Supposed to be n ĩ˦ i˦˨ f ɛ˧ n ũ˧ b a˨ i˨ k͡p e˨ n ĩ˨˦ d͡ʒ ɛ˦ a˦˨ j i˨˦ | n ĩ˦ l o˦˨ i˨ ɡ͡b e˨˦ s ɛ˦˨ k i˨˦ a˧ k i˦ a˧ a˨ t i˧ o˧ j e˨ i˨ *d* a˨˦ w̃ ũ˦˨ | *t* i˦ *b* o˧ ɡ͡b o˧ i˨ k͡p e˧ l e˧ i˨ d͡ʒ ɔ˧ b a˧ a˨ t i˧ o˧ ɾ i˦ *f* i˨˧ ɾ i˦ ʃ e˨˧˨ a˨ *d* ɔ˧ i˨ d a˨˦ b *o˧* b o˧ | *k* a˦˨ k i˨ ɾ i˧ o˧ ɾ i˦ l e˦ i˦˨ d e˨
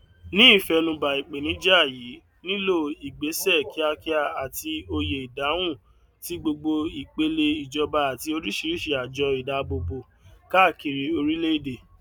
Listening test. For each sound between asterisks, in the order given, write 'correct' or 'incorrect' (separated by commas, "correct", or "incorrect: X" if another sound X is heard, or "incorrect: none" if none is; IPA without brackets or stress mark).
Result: correct, correct, incorrect: ɡ͡b, incorrect: ʃ, incorrect: d͡ʒ, correct, correct